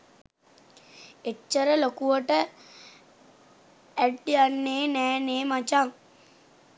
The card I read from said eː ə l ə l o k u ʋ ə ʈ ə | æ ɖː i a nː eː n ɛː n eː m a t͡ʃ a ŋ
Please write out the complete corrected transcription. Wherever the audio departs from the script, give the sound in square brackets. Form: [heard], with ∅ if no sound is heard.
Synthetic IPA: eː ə [ɾ] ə l o k u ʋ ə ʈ ə | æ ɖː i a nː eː n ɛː n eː m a t͡ʃ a ŋ